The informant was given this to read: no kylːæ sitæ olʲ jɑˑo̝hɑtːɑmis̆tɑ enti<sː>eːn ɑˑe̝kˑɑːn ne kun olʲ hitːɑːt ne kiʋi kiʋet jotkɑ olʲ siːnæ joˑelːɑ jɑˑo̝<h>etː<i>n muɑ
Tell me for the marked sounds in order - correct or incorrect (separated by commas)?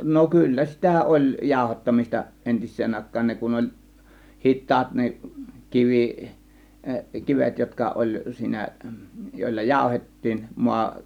correct, correct, incorrect